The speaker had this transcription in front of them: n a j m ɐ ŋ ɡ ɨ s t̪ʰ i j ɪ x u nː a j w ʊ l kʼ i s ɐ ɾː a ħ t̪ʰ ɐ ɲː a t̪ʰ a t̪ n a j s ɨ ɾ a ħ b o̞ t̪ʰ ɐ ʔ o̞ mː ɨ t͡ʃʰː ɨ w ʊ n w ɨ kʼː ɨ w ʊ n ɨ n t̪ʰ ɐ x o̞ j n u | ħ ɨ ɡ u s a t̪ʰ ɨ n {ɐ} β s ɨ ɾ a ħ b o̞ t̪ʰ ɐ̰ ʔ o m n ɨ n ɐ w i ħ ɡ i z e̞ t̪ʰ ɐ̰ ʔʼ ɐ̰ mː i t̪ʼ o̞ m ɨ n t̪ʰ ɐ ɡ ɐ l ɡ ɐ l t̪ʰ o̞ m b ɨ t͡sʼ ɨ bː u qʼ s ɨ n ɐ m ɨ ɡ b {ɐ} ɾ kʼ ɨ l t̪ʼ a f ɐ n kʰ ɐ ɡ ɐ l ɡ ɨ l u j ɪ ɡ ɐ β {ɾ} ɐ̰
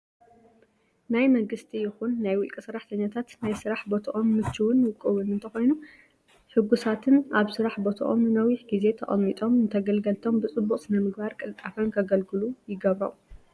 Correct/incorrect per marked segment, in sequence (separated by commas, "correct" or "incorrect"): incorrect, incorrect, correct